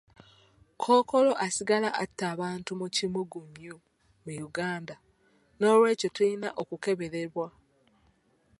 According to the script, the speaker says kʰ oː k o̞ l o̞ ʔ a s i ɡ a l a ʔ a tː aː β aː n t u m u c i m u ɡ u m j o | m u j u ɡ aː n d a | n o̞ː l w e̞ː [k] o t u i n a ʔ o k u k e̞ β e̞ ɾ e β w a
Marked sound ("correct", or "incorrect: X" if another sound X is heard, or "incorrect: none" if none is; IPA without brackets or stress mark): incorrect: c